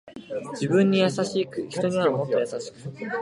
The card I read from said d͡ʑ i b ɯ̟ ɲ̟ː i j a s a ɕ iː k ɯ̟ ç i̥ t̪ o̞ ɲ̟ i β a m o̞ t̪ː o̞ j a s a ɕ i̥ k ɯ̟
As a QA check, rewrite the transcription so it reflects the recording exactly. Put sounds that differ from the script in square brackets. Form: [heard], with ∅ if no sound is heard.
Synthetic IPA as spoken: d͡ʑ i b [ɯ̟̃] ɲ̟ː i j a s a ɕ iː k ɯ̟ ç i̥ t̪ o̞ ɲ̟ i β a m o̞ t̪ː o̞ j a s a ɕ i̥ k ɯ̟